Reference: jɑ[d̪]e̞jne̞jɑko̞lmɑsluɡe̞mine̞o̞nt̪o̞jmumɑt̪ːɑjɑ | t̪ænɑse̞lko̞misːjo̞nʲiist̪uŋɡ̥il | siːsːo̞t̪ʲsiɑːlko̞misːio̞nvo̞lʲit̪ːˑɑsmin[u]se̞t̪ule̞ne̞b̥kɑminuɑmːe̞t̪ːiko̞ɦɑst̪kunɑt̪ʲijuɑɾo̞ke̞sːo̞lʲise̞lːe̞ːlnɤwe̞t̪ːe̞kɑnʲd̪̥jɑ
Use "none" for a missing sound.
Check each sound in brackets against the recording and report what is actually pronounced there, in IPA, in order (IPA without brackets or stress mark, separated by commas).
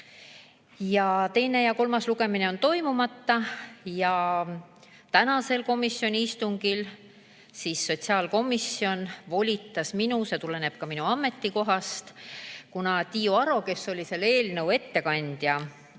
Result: t̪, u